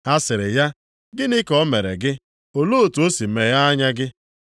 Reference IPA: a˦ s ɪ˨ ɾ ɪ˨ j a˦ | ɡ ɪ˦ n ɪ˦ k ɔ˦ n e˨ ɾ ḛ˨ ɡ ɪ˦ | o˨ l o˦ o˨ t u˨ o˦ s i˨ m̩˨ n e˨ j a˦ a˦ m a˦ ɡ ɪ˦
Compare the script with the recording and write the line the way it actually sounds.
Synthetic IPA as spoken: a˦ s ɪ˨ ɾ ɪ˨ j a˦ | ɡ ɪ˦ n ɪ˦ k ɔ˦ m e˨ ɾ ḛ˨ ɡ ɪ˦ | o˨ l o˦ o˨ t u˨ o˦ s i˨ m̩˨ m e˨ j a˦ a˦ ɲ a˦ ɡ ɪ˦